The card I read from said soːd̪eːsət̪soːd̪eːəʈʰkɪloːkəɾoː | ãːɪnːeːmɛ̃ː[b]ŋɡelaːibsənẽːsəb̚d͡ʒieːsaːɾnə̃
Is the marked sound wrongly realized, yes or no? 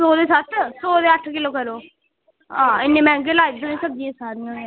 yes